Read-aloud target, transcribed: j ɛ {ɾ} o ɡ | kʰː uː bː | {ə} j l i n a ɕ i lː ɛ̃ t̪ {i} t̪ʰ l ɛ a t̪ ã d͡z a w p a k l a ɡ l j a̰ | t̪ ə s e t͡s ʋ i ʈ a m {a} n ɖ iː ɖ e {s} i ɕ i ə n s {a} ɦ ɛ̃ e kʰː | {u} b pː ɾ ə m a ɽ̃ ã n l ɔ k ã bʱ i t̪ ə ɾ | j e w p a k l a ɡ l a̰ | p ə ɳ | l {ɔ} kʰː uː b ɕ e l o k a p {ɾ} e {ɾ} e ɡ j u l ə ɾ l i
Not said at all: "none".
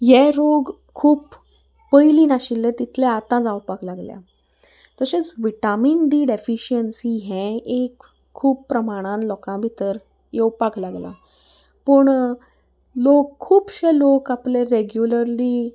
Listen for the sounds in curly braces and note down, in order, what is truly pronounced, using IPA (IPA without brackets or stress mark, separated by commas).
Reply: ɾ, ə, i, i, f, i, uː, o, l, ɾ